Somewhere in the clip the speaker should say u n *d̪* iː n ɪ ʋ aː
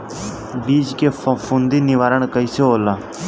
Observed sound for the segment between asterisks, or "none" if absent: d̪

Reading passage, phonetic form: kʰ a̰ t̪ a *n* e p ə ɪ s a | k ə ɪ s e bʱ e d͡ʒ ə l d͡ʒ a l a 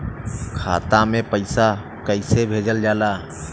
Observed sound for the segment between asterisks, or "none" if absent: m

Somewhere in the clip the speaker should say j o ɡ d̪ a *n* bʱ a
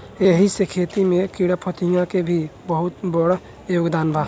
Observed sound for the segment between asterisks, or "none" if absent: n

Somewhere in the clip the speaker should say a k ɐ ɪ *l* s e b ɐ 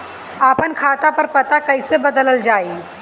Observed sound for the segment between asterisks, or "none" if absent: none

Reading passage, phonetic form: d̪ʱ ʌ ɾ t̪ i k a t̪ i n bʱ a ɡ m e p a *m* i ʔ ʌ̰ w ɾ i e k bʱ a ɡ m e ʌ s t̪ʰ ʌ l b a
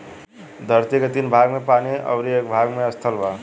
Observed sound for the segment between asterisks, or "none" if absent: n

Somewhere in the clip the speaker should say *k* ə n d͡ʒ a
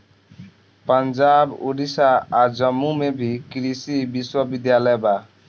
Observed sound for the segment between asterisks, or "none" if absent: p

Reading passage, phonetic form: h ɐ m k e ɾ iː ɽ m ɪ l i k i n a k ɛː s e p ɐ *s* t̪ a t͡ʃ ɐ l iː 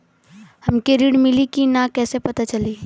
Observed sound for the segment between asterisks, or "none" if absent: none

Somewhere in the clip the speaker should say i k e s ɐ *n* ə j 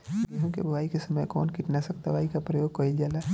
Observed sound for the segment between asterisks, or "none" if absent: m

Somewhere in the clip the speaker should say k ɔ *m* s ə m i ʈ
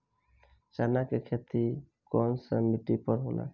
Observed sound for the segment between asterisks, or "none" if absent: n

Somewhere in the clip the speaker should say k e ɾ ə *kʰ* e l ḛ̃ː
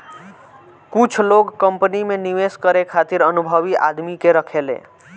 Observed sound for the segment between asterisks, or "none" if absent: kʰ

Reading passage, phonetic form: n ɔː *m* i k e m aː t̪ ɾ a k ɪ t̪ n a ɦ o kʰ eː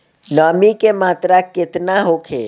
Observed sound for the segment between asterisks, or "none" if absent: m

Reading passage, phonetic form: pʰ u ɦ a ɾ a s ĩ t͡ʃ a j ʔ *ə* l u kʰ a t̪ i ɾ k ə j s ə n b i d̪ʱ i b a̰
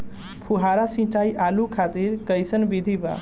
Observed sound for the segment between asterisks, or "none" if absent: a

